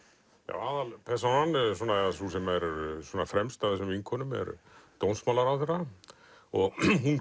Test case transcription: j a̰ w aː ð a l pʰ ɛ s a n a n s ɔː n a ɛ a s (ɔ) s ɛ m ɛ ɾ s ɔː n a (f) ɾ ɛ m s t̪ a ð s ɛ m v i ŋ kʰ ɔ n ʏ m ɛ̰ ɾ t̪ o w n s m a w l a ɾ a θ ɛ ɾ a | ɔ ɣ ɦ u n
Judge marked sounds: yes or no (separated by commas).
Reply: no, yes